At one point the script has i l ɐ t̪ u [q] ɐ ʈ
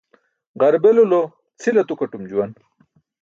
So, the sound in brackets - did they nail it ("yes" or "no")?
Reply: no